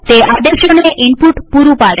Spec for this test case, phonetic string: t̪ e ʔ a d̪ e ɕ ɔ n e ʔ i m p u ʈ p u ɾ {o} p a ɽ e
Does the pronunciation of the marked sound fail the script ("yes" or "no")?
yes